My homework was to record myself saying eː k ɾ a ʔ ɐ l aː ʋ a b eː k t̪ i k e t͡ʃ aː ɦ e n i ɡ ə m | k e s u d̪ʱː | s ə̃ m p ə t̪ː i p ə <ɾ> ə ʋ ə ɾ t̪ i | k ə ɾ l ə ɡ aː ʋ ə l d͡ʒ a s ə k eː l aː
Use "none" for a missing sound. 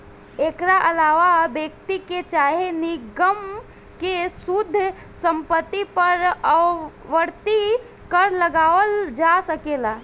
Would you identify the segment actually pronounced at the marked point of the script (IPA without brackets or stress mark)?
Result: ɾ